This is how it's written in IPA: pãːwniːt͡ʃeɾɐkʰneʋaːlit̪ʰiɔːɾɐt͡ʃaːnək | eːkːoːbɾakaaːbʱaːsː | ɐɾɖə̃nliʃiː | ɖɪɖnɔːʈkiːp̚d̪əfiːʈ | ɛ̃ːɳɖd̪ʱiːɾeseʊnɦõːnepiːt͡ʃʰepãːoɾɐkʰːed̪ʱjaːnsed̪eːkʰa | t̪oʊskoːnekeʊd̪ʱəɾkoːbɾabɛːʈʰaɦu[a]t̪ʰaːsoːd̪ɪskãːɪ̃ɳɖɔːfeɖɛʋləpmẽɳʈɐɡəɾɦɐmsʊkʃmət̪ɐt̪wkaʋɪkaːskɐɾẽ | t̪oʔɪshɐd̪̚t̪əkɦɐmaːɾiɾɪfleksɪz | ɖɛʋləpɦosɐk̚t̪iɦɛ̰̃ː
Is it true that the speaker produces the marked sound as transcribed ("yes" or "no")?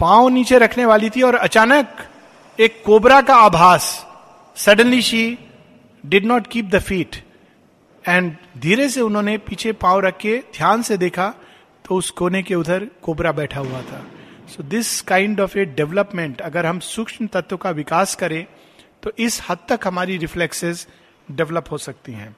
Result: yes